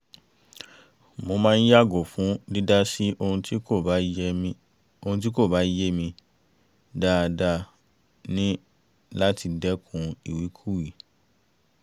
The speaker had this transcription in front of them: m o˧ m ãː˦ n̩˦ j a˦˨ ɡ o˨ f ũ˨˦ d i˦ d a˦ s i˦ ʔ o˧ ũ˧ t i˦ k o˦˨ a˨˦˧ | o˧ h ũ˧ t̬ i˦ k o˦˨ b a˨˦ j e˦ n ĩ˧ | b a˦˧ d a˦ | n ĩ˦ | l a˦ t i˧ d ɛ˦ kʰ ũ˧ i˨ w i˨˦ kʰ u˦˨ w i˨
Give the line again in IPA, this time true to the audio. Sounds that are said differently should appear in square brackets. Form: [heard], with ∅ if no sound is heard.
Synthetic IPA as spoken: m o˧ m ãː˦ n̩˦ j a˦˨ ɡ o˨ f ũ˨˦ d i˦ d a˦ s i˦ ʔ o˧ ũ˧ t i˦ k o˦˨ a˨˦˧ | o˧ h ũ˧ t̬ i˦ k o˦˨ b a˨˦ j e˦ [m] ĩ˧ | [d] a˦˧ d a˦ | n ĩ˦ | l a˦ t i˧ d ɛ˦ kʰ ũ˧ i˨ w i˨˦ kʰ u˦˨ w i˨